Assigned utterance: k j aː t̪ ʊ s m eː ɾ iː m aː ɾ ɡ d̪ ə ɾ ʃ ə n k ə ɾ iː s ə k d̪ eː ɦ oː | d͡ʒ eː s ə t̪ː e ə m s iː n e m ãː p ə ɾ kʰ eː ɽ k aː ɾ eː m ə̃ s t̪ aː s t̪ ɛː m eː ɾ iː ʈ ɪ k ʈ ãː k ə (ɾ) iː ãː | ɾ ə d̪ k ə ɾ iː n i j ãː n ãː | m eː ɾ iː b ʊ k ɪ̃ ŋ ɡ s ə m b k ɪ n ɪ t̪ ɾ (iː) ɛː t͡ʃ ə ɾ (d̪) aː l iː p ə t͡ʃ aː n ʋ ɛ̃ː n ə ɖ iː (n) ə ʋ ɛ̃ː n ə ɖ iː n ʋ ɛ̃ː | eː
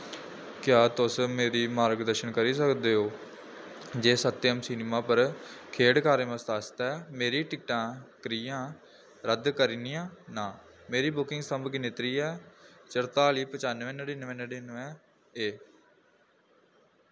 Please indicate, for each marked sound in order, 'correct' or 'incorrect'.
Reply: correct, correct, incorrect: t̪, correct

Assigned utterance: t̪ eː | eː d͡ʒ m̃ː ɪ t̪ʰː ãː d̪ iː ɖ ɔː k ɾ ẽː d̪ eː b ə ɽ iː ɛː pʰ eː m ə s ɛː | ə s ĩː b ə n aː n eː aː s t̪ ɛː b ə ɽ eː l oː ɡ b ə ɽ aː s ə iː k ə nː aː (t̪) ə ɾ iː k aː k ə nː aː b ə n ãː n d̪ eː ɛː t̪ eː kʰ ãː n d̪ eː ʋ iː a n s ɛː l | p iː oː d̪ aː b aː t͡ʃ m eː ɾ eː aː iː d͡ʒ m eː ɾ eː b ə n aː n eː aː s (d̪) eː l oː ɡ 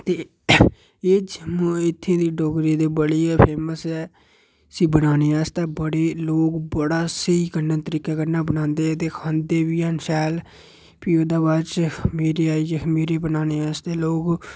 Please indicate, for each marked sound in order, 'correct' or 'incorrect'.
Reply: correct, incorrect: t̪

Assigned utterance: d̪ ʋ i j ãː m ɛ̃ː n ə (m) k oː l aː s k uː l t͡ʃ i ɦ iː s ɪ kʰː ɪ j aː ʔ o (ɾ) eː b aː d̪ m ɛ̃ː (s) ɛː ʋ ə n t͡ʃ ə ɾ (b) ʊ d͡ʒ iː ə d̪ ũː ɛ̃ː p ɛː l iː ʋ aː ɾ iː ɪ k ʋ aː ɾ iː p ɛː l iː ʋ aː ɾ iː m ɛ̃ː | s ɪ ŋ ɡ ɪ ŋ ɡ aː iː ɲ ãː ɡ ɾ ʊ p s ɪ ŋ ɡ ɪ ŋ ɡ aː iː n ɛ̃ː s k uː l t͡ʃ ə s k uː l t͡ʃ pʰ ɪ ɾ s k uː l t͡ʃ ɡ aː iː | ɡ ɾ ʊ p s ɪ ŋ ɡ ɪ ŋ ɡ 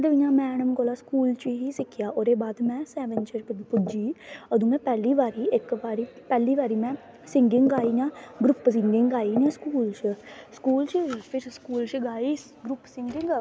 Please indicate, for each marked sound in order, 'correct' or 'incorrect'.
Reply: correct, correct, correct, incorrect: p

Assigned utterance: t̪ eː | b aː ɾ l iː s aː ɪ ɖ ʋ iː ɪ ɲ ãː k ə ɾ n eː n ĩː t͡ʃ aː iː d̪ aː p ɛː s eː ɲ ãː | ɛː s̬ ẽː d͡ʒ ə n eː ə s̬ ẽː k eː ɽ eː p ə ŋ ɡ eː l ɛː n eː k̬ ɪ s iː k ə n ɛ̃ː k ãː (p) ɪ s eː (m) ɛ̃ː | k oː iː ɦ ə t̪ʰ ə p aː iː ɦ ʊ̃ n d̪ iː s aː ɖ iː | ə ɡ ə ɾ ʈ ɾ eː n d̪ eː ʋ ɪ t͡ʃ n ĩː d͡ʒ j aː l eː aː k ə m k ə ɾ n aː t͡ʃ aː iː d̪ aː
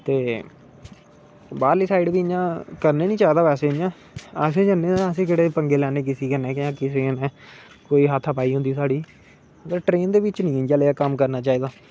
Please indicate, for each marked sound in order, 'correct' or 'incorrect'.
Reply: incorrect: k, incorrect: n

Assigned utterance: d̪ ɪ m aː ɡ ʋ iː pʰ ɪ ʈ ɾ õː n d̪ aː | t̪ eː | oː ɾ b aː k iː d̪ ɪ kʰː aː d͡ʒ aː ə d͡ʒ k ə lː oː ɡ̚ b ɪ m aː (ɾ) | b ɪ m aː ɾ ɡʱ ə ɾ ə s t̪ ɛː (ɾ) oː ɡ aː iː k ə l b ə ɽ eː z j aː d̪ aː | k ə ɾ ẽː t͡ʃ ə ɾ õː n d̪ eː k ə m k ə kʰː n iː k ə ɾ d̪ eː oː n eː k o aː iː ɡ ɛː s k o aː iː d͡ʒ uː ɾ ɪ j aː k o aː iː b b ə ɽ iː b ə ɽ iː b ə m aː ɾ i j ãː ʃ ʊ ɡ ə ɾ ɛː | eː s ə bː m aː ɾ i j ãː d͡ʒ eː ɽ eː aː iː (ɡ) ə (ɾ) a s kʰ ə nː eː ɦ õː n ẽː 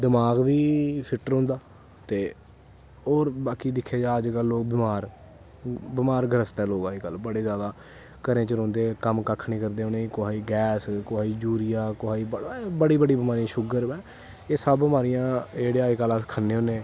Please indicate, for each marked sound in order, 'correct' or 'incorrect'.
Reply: correct, incorrect: l, incorrect: k, incorrect: l

